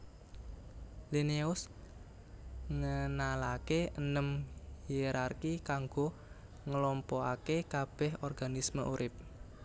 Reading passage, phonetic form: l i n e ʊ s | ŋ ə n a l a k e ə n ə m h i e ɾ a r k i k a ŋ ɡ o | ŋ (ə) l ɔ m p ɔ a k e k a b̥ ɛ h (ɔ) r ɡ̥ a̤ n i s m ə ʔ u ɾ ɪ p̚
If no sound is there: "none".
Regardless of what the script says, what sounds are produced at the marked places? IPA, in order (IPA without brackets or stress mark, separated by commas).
ə, ɔ